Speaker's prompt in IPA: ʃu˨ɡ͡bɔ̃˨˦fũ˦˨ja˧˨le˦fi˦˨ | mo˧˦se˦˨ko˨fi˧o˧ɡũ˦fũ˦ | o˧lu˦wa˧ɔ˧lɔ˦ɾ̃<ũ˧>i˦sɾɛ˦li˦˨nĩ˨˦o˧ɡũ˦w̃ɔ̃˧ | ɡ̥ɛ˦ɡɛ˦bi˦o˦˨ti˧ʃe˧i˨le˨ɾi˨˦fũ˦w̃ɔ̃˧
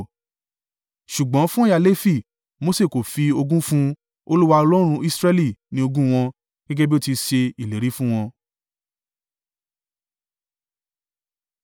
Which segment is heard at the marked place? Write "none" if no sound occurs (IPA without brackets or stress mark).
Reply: ũ˧